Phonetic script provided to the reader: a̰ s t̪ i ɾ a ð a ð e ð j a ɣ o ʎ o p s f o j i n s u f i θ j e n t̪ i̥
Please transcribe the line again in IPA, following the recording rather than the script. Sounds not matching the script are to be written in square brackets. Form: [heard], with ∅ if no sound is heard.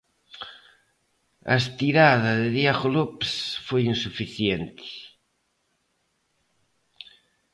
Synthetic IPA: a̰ s t̪ i ɾ a ð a ð e ð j a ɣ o [l] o p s f o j i n s u f i θ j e n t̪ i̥